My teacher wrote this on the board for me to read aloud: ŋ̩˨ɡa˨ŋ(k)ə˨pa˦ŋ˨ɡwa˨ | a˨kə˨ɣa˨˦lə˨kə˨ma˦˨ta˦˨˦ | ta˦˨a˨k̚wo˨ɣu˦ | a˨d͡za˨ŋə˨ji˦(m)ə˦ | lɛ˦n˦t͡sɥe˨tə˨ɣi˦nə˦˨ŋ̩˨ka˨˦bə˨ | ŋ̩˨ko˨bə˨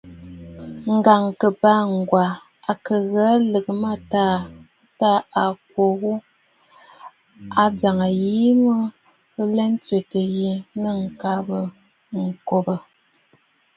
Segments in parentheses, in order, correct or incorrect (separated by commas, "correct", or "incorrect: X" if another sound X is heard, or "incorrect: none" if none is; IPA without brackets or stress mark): correct, correct